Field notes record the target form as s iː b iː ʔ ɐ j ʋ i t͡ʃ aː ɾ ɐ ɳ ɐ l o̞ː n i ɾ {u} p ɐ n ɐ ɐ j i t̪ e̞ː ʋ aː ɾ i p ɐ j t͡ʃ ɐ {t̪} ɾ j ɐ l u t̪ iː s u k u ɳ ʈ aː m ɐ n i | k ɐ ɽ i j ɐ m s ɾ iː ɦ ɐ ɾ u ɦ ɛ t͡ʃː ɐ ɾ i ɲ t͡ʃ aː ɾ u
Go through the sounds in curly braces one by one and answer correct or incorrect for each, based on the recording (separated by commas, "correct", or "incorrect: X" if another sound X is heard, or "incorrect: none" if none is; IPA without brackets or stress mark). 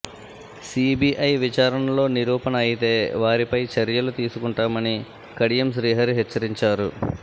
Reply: incorrect: uː, incorrect: none